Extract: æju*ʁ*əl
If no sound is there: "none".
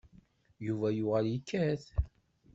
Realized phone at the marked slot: ʁ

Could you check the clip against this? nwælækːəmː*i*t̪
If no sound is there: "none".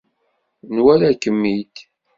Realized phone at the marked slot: i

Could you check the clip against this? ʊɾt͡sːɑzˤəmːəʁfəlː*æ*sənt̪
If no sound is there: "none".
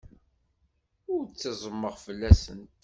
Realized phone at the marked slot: æ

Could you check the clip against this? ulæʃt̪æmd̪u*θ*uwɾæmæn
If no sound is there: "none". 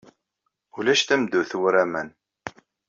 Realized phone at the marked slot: θ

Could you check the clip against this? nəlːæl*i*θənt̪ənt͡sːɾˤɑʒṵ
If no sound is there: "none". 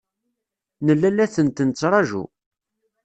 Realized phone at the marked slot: æ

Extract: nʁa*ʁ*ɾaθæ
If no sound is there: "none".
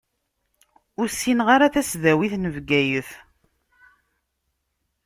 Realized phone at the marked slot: none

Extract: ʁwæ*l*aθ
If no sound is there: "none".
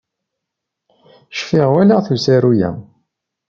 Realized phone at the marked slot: l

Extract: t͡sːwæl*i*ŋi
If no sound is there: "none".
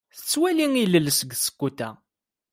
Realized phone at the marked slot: i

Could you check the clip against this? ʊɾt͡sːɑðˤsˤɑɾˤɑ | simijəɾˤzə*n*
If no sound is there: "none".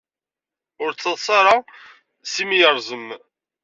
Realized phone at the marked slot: m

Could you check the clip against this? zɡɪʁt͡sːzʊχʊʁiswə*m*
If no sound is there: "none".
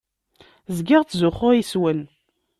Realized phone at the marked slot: n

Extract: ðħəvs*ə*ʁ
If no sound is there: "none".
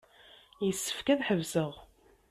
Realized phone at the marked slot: ə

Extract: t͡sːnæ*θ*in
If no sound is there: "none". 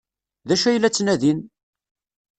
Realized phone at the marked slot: ð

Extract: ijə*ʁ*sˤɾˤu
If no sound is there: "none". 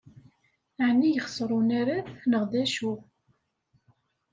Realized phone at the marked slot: χ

